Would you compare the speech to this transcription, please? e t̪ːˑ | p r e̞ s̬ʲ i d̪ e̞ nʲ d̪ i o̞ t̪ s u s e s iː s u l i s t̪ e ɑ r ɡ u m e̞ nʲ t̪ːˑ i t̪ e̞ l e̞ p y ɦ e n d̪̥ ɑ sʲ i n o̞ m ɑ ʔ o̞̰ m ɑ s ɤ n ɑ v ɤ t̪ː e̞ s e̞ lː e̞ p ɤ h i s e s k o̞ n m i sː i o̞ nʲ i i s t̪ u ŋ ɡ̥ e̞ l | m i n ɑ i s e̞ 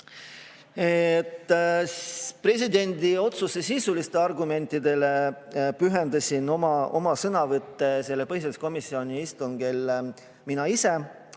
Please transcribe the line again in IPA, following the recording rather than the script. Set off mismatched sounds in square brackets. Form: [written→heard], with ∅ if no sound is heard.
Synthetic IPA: e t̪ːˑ | p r e̞ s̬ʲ i d̪ e̞ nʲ d̪ i o̞ t̪ s u s e s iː s u l i s t̪ e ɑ r ɡ u m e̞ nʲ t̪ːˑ i [t̪→d̪] e̞ l e̞ p y ɦ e n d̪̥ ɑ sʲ i n o̞ m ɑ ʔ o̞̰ m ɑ s ɤ n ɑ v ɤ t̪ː e̞ s e̞ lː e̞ p ɤ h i s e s k o̞ [n→∅] m i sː i o̞ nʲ i i s t̪ u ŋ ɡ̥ e̞ l | m i n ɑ i s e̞

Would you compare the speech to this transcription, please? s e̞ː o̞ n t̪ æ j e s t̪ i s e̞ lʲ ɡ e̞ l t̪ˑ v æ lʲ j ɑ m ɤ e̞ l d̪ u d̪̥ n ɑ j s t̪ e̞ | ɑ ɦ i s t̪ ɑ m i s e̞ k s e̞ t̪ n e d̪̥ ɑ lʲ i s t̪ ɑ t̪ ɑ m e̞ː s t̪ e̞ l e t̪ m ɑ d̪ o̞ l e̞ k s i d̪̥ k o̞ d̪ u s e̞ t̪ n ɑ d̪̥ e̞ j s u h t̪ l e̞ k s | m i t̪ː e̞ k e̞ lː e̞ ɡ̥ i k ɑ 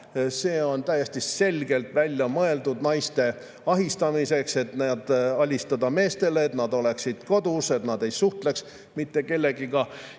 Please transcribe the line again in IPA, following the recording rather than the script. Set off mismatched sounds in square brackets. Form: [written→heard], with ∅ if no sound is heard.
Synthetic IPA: s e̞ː o̞ n t̪ æ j e s t̪ i s e̞ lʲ ɡ e̞ l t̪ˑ v æ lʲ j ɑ m ɤ e̞ l d̪ u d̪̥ n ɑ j s t̪ e̞ | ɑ ɦ i s t̪ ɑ m i s e̞ k s e̞ t̪ n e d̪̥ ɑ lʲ i s t̪ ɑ [t̪→d̪] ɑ m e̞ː s t̪ e̞ l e t̪ [m→n] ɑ d̪ o̞ l e̞ k s i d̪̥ k o̞ d̪ u s e̞ t̪ n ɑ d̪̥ e̞ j s u h t̪ l e̞ k s | m i t̪ː e̞ k e̞ lː e̞ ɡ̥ i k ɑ

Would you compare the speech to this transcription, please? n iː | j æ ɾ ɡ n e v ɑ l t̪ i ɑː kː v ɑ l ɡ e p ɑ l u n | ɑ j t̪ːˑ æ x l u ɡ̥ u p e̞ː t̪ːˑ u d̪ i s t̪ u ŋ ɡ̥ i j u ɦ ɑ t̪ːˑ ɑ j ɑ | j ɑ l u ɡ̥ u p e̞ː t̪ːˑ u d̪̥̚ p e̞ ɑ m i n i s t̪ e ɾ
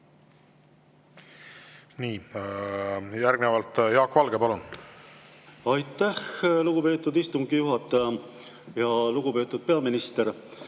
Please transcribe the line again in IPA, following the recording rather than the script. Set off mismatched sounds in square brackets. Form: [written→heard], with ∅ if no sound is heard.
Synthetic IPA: n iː | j æ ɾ ɡ n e v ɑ l t̪ [i→j] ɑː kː v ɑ l ɡ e p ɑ l u n | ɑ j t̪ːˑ æ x l u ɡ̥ u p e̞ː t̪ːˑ u d̪ i s t̪ u ŋ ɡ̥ i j u ɦ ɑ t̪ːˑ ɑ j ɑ | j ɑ l u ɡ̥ u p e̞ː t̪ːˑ u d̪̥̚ p e̞ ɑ m i n i s t̪ e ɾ

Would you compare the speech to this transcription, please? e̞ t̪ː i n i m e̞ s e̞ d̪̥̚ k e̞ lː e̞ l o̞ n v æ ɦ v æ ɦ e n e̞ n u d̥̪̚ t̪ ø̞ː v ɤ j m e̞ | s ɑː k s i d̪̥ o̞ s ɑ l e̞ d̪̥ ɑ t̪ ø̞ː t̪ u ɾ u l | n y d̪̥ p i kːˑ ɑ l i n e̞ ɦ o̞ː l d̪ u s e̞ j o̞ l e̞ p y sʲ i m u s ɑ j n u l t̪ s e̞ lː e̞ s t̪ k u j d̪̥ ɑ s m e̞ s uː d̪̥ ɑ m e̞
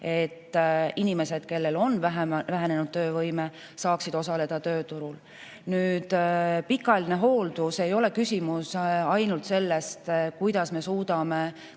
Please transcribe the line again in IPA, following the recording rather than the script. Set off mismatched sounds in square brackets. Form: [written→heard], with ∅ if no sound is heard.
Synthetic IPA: e̞ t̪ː i n i m e̞ s e̞ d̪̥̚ k e̞ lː e̞ l o̞ n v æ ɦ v æ ɦ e n e̞ n u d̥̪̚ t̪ ø̞ː v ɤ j m e̞ | s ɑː k s i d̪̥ o̞ s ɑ l e̞ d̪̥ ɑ t̪ ø̞ː t̪ u ɾ u l | n [y→yː] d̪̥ p i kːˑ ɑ l i n e̞ ɦ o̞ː l d̪ u s e̞ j o̞ l e̞ [p→k] y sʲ i m u s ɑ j n u l t̪ s e̞ lː e̞ s t̪ k u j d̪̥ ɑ s m e̞ s uː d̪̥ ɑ m e̞

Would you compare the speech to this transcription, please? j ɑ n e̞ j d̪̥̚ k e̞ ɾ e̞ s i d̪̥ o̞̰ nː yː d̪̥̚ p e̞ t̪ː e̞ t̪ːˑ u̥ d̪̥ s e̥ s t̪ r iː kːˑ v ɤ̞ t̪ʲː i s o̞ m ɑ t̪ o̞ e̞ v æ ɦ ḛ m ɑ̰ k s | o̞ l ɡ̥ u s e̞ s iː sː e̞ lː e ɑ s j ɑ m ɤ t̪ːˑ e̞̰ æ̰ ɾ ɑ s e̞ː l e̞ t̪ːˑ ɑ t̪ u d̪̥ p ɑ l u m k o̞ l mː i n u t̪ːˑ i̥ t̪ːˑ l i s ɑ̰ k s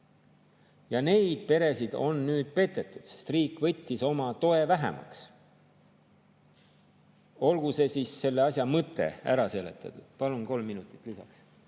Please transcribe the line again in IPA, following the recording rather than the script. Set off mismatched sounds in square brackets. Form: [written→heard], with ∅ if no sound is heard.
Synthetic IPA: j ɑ n e̞ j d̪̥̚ [k→p] e̞ ɾ e̞ s i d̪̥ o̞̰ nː yː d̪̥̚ p e̞ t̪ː e̞ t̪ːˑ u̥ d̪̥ s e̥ s t̪ r iː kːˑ v ɤ̞ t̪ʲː i s o̞ m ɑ t̪ o̞ e̞ v æ ɦ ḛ m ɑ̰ k s | o̞ l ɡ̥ u s e̞ s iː sː e̞ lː e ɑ s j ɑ m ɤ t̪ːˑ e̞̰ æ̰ ɾ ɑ s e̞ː l e̞ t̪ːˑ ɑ t̪ u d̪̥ p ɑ l u [m→n] k o̞ l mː i n u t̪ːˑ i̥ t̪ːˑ l i s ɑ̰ k s

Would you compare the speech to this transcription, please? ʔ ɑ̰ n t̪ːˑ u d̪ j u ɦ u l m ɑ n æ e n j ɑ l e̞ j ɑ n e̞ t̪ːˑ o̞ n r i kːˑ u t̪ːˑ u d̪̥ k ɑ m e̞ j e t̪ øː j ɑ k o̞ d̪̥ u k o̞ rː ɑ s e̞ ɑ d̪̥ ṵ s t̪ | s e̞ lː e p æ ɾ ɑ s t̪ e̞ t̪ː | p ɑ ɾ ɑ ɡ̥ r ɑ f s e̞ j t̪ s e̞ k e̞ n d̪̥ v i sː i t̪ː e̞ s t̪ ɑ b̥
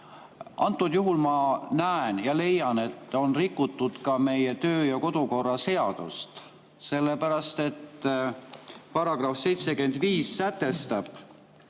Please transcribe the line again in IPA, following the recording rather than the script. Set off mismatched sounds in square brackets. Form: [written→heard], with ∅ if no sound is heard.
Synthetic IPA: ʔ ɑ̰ n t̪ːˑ u d̪ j u ɦ u l m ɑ n æ e n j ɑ l e̞ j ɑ n e̞ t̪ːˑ o̞ n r i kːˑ u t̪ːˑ u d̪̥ k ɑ m e̞ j e t̪ øː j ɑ k o̞ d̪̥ u k o̞ rː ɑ s e̞ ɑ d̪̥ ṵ s t̪ | s e̞ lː e p æ ɾ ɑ s t̪ e̞ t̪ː | p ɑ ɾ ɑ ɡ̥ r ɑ f s e̞ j t̪ s e̞ k e̞ n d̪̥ v [i→iː] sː [i→æ] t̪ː e̞ s t̪ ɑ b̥

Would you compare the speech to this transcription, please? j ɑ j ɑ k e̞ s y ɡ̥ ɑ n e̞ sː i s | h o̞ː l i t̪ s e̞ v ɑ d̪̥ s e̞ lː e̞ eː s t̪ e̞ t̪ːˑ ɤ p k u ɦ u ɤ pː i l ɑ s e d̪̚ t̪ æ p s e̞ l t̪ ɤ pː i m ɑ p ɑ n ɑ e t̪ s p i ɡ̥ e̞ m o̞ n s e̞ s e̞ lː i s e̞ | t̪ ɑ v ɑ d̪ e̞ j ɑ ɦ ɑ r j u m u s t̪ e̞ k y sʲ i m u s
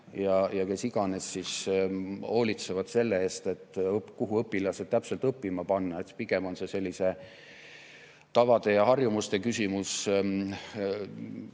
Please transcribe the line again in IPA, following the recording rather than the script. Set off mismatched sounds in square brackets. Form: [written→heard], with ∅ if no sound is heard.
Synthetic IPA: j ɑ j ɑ k e̞ s [y→i] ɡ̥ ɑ n e̞ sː i s | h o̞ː l i t̪ s e̞ v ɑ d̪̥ s e̞ lː e̞ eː s t̪ e̞ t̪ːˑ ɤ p k u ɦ u ɤ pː i l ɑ s e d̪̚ t̪ æ p s e̞ l t̪ ɤ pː i m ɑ p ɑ [n→nː] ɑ e t̪ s p i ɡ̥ e̞ m o̞ n s e̞ s e̞ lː i s e̞ | t̪ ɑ v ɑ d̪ e̞ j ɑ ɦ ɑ r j u m u s t̪ e̞ k y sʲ i m u s

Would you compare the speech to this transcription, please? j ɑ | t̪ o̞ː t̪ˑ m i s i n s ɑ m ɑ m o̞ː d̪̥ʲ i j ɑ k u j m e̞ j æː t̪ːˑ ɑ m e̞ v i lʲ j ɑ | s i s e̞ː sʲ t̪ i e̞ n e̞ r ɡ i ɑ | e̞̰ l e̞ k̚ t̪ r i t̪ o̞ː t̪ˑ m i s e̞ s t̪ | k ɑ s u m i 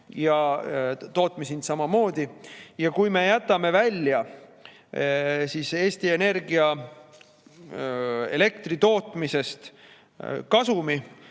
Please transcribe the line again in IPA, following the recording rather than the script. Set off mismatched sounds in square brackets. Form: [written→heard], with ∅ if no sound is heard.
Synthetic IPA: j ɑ | t̪ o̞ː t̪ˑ m i s i n s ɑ m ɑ m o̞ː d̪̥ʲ i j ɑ k u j m e̞ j [æː→æ] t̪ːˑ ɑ m e̞ v [i→æ] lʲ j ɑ | s i s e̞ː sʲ t̪ i e̞ n e̞ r ɡ i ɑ | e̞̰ l e̞ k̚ t̪ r i t̪ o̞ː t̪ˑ m i s e̞ s t̪ | k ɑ s u m i

